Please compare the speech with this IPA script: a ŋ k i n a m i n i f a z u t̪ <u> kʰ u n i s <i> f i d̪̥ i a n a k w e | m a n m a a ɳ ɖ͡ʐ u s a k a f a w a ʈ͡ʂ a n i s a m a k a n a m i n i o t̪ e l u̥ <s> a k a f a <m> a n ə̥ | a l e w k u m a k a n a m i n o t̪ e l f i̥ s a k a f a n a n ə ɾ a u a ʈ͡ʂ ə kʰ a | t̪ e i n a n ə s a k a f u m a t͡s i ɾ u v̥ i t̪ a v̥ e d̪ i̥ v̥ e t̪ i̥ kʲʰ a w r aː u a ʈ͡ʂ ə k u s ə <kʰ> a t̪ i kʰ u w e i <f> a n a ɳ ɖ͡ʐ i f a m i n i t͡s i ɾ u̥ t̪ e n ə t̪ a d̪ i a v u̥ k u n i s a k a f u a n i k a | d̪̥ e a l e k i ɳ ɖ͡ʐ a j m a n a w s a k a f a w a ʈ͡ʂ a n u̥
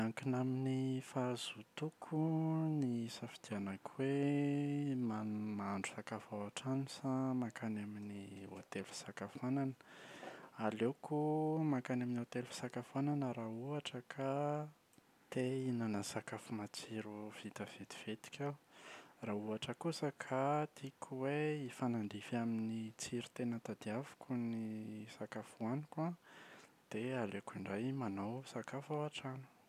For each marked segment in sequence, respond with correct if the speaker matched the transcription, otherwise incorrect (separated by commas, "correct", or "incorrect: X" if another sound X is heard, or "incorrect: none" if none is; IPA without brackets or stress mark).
correct, incorrect: a, correct, incorrect: n, correct, correct